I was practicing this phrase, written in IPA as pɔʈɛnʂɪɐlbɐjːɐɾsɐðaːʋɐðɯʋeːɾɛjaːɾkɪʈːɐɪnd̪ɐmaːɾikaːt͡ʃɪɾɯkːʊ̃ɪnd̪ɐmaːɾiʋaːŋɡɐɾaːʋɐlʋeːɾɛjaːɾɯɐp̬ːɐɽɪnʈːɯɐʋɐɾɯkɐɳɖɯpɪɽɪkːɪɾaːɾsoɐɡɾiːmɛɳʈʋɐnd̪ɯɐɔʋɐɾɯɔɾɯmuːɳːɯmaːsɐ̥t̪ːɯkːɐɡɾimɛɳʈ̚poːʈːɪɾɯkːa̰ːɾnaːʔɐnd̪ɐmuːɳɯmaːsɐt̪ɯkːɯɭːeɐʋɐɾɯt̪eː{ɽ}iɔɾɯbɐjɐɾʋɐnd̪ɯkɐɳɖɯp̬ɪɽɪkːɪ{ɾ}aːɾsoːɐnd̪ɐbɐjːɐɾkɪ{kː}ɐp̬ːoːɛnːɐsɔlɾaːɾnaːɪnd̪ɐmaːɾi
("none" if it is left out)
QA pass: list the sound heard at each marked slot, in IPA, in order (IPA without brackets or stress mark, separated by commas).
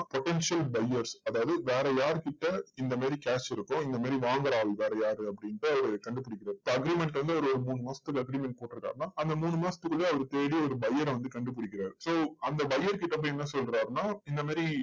ɽ, ɾ, ʈː